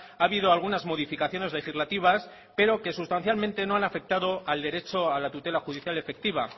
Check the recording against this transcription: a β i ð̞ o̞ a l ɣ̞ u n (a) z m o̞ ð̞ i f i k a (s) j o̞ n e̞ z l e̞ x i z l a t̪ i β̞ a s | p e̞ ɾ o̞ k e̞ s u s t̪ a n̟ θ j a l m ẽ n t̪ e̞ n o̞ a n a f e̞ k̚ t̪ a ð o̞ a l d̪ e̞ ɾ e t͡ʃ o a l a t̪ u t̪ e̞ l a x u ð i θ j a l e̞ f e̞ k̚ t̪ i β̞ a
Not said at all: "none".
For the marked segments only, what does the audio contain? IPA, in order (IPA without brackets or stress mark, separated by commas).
a, θ